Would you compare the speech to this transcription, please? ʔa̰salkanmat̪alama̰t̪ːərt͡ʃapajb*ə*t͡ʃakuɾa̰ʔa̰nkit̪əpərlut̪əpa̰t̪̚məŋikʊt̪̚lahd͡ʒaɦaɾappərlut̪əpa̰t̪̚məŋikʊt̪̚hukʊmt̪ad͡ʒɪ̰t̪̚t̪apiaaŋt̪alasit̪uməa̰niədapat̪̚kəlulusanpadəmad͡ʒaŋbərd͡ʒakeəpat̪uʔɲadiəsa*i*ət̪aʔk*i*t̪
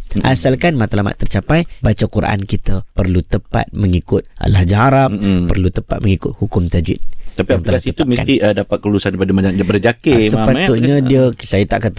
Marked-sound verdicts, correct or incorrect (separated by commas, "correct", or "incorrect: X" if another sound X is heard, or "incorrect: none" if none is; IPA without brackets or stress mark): incorrect: a, incorrect: j, incorrect: a